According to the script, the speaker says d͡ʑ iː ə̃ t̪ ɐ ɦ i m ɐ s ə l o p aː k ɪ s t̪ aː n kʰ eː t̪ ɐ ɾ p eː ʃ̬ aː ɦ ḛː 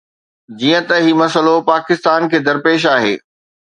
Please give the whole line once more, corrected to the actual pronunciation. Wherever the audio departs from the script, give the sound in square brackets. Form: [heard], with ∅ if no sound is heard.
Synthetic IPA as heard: d͡ʑ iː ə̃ t̪ ɐ ɦ i m ɐ s ə l o p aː k ɪ s t̪ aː n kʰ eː [d̪] ɐ ɾ p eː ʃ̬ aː ɦ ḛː